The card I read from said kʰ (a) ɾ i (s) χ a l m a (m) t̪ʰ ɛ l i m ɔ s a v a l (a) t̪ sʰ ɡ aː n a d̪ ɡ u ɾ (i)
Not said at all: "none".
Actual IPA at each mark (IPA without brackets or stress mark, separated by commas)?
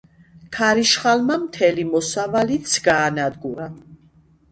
a, ʃ, m, i, a